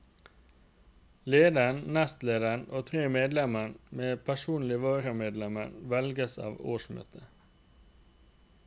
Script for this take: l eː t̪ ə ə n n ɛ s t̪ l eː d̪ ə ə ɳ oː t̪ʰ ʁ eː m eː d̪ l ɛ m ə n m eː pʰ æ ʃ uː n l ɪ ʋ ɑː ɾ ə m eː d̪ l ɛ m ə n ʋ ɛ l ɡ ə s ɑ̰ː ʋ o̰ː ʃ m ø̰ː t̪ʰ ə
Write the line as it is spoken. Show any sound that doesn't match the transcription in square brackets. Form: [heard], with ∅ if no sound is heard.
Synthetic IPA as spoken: l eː [d̪] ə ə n n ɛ s t̪ l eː d̪ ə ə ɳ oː t̪ʰ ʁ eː m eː d̪ l ɛ m ə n m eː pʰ æ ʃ uː n l ɪ ʋ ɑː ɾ ə m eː d̪ l ɛ m ə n ʋ ɛ l ɡ ə s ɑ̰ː ʋ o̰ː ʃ m ø̰ː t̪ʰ ə